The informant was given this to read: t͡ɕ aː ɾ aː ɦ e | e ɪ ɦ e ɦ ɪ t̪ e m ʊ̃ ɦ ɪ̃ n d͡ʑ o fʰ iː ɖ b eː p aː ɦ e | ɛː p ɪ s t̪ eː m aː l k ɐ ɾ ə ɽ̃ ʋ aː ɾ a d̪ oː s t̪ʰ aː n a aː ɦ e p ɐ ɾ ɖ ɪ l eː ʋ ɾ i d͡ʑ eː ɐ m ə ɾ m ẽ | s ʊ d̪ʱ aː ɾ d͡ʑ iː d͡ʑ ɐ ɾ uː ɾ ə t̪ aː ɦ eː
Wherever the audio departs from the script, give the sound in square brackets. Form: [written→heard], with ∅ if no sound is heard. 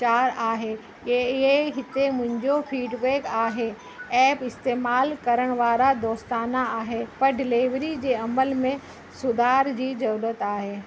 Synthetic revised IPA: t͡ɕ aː ɾ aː ɦ e | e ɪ ɦ e ɦ ɪ t̪ e m ʊ̃ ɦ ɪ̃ [n→ɲ] d͡ʑ o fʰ iː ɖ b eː [p→k] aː ɦ e | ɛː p ɪ s t̪ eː m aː l k ɐ ɾ ə ɽ̃ ʋ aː ɾ a d̪ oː s [t̪ʰ→t̪] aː n a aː ɦ e p ɐ ɾ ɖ ɪ l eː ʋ ɾ i d͡ʑ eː ɐ m ə [ɾ→l] m ẽ | s ʊ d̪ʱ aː ɾ d͡ʑ iː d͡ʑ ɐ ɾ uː ɾ ə t̪ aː ɦ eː